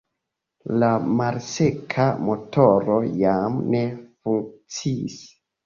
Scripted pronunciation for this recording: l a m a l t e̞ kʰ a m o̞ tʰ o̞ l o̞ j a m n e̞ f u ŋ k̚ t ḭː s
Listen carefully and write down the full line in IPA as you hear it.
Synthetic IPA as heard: l a m a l s e̞ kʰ a m o̞ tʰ o̞ ɾ o̞ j a m n e̞ f u ŋ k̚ t͡s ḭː s